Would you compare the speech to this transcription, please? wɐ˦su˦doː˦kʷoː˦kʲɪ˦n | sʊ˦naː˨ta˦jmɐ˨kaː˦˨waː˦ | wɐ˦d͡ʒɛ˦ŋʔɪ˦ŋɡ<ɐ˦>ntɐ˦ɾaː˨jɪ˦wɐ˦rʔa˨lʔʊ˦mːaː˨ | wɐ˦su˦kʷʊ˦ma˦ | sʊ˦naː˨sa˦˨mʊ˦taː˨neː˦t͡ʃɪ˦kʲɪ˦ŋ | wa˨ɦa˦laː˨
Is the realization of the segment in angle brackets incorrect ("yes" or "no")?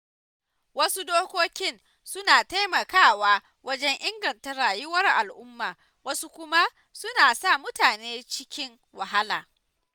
yes